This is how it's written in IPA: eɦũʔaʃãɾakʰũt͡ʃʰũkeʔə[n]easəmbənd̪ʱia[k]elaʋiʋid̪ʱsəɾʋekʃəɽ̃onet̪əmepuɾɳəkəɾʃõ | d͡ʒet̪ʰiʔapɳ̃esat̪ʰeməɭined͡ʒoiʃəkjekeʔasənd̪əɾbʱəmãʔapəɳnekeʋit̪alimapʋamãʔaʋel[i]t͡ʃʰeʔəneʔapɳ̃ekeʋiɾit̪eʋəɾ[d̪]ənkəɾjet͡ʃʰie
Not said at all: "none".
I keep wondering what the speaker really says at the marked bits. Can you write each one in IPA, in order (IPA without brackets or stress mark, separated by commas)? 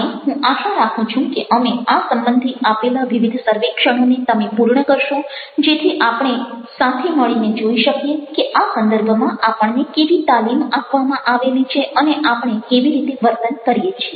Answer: m, p, i, t̪